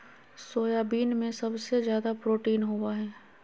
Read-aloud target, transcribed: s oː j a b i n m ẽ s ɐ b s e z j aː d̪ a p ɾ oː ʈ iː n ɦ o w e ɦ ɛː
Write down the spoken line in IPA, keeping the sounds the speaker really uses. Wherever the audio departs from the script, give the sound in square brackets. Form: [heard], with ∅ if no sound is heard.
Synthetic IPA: s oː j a b [iː] n m ẽ s ɐ b s e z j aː d̪ a p ɾ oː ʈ iː n ɦ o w [a] ɦ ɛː